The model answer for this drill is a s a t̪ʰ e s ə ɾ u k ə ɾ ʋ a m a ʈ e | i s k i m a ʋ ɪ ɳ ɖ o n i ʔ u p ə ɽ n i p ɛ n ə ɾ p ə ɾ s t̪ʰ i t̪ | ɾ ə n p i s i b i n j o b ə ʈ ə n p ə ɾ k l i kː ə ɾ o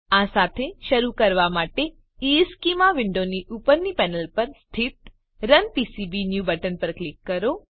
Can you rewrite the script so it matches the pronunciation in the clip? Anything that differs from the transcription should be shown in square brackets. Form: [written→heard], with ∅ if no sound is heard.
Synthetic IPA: a s a t̪ʰ e [s→ʃ] ə ɾ u k ə ɾ ʋ a m a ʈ e | i s k i m a ʋ ɪ ɳ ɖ o n i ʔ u p ə [ɽ→ɾ] n i p ɛ n ə [ɾ→l] p ə ɾ s t̪ʰ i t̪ | ɾ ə n p i s i b i n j [o→u] b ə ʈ ə n p ə ɾ k l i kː ə ɾ o

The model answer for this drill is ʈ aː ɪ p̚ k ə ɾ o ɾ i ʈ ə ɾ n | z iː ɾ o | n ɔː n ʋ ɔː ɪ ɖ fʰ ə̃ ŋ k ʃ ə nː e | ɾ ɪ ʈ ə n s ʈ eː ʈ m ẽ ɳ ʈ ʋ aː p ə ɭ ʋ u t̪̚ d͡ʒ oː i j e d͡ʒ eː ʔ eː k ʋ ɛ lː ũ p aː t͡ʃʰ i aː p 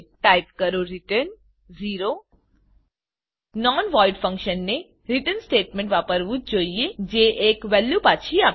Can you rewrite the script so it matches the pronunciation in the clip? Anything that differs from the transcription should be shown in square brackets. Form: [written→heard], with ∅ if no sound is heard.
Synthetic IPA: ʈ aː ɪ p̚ k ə ɾ o ɾ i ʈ ə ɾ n | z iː ɾ o | n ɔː n ʋ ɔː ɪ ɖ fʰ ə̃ ŋ k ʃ ə nː e | ɾ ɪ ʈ ə n s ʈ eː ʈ m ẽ ɳ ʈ ʋ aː p ə [ɭ→ɾ] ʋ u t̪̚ d͡ʒ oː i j e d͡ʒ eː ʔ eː k ʋ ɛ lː [ũ→u] p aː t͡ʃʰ i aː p

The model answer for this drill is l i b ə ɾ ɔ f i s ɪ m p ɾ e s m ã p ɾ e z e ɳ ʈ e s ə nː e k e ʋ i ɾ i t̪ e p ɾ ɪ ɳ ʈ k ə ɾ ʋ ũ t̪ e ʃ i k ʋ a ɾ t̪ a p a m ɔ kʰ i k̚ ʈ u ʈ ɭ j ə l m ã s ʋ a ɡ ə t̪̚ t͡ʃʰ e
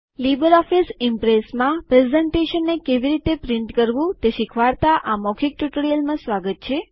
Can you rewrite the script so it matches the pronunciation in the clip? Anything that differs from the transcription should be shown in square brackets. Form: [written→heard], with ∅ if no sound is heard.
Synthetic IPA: l i b ə ɾ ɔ f i s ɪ m p ɾ e s m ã p ɾ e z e ɳ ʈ e [s→ʃ] ə nː e k e ʋ i ɾ i t̪ e p ɾ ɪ ɳ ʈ k ə ɾ ʋ ũ t̪ e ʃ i [k→kʰ] ʋ a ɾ t̪ a [p→ʔ] a m ɔ kʰ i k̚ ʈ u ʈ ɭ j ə l m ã s ʋ a ɡ ə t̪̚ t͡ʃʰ e

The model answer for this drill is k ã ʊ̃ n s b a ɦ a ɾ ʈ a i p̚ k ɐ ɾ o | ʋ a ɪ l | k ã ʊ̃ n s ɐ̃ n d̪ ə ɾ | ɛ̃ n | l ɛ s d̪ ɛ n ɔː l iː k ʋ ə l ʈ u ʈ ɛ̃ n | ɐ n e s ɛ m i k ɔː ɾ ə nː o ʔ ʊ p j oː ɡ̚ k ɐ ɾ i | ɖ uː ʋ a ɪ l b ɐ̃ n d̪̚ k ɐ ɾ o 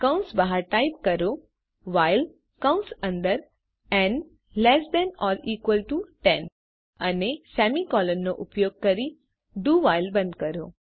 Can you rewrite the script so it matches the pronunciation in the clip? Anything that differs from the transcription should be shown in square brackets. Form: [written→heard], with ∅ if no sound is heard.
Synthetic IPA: k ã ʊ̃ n s b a ɦ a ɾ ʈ a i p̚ k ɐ ɾ o | ʋ a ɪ l | k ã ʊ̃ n s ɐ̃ n d̪ ə ɾ | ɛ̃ n | l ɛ s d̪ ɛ n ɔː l iː k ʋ ə l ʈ u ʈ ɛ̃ n | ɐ n e s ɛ m i k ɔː [ɾ→l] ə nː o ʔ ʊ p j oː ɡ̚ k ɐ ɾ i | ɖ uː ʋ a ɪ l b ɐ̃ n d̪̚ k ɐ ɾ o

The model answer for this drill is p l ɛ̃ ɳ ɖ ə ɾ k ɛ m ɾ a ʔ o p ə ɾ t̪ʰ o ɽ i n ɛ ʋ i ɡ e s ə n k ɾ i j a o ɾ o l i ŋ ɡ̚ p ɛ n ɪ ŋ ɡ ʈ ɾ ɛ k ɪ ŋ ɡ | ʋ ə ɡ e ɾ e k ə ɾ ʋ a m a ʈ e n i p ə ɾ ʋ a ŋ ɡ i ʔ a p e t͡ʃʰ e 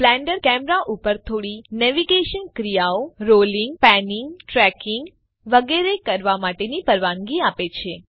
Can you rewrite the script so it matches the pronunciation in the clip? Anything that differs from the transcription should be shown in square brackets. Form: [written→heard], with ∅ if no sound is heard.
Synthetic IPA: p l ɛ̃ ɳ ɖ ə ɾ k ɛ m ɾ a ʔ [o→u] p ə ɾ t̪ʰ o ɽ i n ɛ ʋ i ɡ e [s→ʃ] ə n k ɾ i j a o ɾ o l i ŋ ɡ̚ p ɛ n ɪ ŋ ɡ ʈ ɾ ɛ k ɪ ŋ ɡ | ʋ ə ɡ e ɾ e k ə ɾ ʋ a m a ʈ e n i p ə ɾ ʋ a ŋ ɡ i [ʔ→∅] a p e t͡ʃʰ e

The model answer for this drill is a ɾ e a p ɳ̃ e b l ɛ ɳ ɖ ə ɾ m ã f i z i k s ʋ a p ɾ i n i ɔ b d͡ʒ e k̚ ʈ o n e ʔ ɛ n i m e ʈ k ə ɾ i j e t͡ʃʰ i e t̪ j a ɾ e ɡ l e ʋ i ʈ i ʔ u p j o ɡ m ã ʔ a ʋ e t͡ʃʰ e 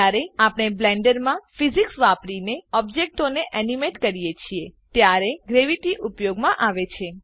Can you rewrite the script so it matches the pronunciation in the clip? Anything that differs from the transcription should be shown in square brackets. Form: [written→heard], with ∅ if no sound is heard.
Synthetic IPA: a ɾ e a p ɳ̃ e b l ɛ ɳ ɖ ə ɾ m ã f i z i k s ʋ a p ɾ i n [i→e] ɔ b d͡ʒ e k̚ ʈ o n e ʔ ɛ n i m e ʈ k ə ɾ i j e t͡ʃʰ i e t̪ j a ɾ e ɡ [l→ɾ] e ʋ i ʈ i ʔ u p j o ɡ m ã ʔ a ʋ e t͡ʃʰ e

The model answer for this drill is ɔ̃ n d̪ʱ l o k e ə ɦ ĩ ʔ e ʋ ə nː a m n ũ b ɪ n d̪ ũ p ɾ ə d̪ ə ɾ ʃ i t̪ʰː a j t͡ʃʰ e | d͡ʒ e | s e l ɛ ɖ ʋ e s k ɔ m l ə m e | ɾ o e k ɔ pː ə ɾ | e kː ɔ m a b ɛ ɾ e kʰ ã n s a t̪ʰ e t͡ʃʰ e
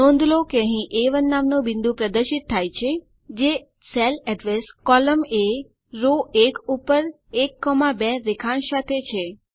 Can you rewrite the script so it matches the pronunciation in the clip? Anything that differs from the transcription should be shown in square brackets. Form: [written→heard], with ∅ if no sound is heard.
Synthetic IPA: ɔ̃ n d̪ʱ l o k e ə ɦ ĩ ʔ e ʋ ə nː a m n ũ b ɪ n d̪ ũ p ɾ ə d̪ ə ɾ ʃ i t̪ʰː a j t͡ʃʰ e | d͡ʒ e | s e l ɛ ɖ ʋ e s k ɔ [m→∅] l ə m e | ɾ o e k [ɔ→u] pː ə ɾ | e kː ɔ m a b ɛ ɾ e kʰ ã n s a t̪ʰ e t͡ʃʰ e

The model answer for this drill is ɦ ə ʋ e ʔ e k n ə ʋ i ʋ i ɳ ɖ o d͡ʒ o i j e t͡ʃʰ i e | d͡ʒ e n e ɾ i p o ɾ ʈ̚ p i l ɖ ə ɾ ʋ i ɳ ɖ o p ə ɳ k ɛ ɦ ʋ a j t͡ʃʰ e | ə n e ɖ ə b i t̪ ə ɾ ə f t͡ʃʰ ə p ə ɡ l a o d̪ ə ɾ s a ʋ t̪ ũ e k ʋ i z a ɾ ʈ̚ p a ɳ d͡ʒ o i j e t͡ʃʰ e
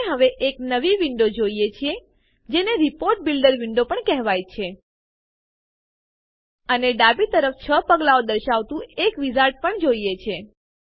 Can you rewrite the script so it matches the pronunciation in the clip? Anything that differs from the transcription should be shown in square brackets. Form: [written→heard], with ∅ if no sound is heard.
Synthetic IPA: ɦ ə ʋ e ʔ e k n ə ʋ i ʋ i ɳ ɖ o d͡ʒ o i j e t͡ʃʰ i e | d͡ʒ e n e ɾ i p o ɾ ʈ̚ [p→b] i l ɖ ə ɾ ʋ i ɳ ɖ o p ə ɳ k ɛ ɦ ʋ a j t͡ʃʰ e | ə n e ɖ [ə→a] b i t̪ ə ɾ ə f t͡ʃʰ ə p ə ɡ l a o d̪ ə ɾ [s→ʃ] a ʋ t̪ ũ e k ʋ i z a ɾ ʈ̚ p [a→ə] ɳ d͡ʒ o i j e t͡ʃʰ e

